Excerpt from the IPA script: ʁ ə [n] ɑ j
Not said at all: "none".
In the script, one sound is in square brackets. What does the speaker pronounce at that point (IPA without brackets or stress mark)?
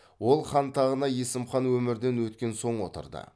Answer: n